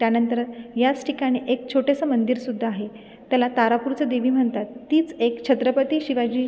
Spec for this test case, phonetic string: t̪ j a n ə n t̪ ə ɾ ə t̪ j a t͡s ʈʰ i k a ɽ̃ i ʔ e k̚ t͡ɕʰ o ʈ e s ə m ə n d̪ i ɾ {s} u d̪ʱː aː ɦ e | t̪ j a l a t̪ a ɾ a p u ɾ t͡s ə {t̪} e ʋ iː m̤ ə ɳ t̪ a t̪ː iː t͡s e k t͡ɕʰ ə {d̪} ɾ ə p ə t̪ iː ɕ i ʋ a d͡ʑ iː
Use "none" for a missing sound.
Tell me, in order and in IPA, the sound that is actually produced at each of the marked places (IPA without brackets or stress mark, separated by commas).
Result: s, d̪, t̪